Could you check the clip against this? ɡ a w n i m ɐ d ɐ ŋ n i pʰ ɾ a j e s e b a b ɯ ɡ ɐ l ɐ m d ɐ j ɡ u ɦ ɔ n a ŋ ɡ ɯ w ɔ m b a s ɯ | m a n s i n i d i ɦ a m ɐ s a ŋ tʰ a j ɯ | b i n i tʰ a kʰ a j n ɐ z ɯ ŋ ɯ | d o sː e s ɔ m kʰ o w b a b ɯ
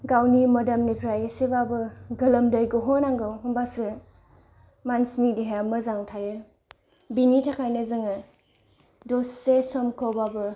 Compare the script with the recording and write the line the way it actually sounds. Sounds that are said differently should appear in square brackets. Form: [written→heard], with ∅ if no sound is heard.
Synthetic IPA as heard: ɡ a w n i m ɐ d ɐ [ŋ→m] n i pʰ ɾ a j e s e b a b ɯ ɡ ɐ l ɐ m d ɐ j ɡ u ɦ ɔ n a ŋ ɡ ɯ w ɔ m b a s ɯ | m a n s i n i d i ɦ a m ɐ [s→z] a ŋ tʰ a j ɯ | b i n i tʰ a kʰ a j n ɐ z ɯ ŋ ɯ | d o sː e s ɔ m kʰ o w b a b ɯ